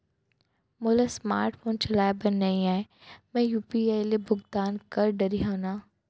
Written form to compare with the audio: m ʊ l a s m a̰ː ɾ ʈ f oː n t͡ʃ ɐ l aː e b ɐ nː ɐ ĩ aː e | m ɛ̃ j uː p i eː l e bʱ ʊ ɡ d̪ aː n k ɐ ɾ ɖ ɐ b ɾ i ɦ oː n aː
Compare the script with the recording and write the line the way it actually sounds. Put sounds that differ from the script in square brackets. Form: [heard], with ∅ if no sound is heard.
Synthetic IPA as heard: m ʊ l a s m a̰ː ɾ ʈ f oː n t͡ʃ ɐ l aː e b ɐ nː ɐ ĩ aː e | m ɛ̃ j uː p i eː l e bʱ ʊ ɡ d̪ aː n k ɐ ɾ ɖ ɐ [∅] ɾ i ɦ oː n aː